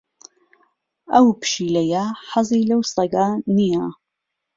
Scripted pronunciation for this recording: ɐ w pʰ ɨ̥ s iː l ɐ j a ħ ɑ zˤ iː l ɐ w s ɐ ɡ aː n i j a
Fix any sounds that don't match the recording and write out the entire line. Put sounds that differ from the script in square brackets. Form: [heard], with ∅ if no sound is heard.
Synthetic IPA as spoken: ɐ w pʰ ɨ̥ [ʃ] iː l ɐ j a ħ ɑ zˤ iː l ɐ w s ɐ ɡ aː n i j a